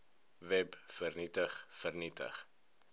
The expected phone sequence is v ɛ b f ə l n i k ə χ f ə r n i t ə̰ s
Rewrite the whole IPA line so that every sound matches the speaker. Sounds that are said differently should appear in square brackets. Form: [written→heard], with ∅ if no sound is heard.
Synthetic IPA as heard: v ɛ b f ə [l→r] n i [k→t] ə χ f ə r n i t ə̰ [s→χ]

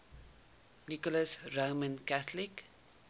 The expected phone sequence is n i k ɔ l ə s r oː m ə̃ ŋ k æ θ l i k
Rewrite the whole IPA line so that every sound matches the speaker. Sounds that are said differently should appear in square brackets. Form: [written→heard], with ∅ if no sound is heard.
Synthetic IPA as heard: n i k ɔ l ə s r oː m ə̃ [ŋ→n] k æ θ l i k

